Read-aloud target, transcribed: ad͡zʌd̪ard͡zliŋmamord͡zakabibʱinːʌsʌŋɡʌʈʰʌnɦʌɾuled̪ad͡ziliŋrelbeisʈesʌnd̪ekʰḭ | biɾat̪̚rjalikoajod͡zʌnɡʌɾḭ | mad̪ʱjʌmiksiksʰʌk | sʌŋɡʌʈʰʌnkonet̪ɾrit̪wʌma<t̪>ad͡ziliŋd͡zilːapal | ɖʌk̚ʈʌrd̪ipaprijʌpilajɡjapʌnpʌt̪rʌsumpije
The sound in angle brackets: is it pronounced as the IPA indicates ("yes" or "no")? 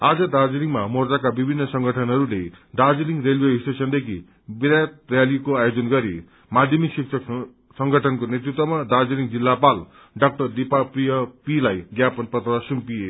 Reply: no